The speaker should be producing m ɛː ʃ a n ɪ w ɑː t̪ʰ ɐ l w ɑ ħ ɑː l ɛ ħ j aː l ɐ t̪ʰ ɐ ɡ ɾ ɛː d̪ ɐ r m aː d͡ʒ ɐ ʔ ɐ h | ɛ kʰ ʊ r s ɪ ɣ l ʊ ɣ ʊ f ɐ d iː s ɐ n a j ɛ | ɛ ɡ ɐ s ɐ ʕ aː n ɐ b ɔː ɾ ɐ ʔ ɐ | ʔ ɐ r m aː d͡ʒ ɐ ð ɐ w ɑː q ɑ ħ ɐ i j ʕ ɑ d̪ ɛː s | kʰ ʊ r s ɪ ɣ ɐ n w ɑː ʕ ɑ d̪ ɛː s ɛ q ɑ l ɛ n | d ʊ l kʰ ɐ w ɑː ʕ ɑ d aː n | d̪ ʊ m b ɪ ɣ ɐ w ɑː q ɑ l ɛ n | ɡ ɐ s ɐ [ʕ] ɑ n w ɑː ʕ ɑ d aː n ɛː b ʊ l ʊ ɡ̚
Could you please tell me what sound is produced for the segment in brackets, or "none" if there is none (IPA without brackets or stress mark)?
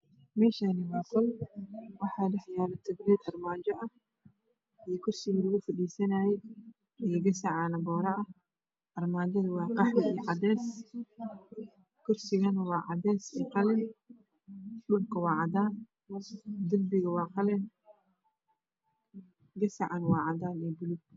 ʕ